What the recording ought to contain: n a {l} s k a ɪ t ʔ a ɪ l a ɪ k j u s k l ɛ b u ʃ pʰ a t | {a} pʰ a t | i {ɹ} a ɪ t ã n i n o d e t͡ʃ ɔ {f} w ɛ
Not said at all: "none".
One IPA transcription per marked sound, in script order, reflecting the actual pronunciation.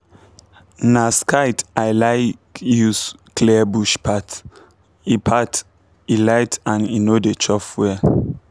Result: none, i, l, f

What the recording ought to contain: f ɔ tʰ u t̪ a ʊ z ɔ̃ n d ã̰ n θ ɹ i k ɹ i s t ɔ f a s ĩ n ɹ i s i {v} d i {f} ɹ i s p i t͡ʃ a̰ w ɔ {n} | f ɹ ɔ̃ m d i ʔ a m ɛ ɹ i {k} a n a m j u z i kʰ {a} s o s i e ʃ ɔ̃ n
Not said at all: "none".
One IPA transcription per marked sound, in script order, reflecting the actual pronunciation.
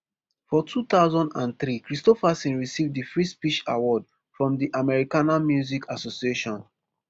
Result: v, f, d, k, a

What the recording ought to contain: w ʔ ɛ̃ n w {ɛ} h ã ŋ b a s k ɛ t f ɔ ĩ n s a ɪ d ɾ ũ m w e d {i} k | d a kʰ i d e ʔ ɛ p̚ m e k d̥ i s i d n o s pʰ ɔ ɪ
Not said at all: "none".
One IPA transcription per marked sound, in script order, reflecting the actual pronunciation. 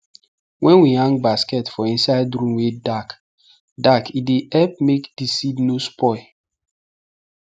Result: i, a

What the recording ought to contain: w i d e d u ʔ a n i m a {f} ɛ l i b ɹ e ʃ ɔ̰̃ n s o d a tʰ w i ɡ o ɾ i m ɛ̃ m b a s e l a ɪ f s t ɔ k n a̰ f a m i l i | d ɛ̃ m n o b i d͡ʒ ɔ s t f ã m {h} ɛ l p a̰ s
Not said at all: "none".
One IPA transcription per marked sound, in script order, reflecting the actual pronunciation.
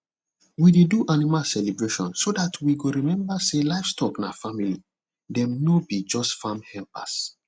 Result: s, h

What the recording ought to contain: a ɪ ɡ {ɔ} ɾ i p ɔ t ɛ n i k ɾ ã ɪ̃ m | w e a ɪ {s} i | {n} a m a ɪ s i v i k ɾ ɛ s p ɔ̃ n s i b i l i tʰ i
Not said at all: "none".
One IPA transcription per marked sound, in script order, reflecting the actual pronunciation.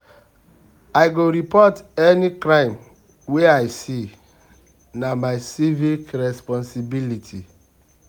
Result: o, s, n

